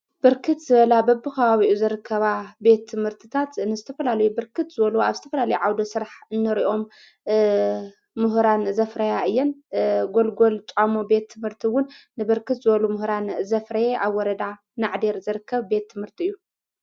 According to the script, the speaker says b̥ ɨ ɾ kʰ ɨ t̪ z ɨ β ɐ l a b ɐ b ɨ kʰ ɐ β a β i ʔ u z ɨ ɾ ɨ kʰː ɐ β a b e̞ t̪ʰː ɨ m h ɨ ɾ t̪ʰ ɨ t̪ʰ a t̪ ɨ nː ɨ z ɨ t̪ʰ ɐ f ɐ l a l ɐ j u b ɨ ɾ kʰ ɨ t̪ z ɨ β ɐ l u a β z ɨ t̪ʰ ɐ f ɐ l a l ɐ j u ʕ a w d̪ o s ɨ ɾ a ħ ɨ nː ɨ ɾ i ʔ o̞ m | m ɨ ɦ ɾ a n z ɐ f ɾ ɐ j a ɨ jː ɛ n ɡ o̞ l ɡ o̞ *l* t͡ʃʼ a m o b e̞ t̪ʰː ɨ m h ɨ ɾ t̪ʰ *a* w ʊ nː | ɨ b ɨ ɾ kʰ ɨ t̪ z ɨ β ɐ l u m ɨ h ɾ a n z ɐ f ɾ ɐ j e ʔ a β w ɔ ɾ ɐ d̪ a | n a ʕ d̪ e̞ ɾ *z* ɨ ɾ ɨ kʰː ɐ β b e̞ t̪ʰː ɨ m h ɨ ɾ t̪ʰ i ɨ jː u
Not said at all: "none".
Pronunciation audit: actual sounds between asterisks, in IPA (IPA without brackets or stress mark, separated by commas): l, i, z